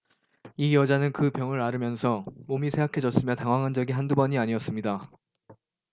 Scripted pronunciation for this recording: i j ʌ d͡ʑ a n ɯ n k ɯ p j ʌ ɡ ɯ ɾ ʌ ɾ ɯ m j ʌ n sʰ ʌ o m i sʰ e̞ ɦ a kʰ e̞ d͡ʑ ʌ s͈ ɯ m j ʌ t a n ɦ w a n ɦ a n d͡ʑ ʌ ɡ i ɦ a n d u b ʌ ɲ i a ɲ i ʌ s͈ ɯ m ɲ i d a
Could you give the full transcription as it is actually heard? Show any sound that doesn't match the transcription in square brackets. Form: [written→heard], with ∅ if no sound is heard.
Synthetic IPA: i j ʌ d͡ʑ a n ɯ n k ɯ p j ʌ [ɡ→ŋ] ɯ ɾ [ʌ→a] ɾ ɯ m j ʌ n sʰ ʌ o m i sʰ e̞ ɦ a kʰ e̞ d͡ʑ ʌ s͈ ɯ m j ʌ t a [n→ŋ] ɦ w a [n→ŋ] ɦ a n d͡ʑ ʌ ɡ i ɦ a n d u b ʌ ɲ i a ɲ i ʌ s͈ ɯ m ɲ i d a